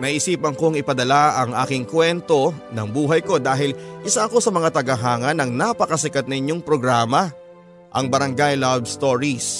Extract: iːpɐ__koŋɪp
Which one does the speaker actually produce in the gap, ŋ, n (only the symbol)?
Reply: ŋ